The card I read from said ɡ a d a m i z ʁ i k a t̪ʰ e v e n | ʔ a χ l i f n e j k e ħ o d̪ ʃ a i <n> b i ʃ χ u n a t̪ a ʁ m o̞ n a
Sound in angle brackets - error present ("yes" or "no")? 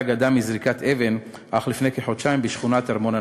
yes